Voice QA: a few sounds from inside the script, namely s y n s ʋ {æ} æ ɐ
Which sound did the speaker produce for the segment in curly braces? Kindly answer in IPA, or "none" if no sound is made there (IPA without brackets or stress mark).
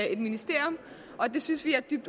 i